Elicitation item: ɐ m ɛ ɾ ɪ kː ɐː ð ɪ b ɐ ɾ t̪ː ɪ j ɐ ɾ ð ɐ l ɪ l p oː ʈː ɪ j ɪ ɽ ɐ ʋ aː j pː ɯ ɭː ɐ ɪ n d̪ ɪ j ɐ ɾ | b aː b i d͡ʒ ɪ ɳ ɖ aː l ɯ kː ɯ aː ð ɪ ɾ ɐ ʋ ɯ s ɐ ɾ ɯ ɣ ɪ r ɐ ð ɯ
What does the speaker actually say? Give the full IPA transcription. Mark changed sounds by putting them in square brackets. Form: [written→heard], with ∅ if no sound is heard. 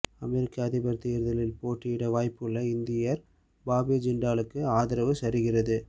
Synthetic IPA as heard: ɐ m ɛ ɾ ɪ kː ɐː ð ɪ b ɐ ɾ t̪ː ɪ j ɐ ɾ ð ɐ l ɪ l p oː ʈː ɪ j ɪ ɽ ɐ ʋ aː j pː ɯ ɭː ɐ ɪ n d̪ ɪ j ɐ ɾ | b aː b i d͡ʒ ɪ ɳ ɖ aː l ɯ kː ɯ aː ð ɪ ɾ ɐ ʋ ɯ s ɐ ɾ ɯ ɣ ɪ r ɐ ð ɯ